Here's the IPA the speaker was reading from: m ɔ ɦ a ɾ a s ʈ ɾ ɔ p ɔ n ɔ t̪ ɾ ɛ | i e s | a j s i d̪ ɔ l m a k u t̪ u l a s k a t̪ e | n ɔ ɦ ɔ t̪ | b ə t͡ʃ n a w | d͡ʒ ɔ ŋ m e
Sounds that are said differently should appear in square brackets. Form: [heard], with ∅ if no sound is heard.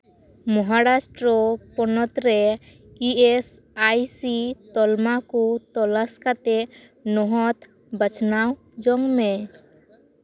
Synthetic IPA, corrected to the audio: m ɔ ɦ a ɾ a s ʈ ɾ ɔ p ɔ n ɔ t̪ ɾ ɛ | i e s | a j s i [t̪] ɔ l m a k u t̪ [ɔ] l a s k a t̪ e | n ɔ ɦ ɔ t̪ | b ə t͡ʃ n a w | d͡ʒ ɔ ŋ m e